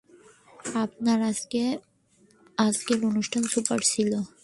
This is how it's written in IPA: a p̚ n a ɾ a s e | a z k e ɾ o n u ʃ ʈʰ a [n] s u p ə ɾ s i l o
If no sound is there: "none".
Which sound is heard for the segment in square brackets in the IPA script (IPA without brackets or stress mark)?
n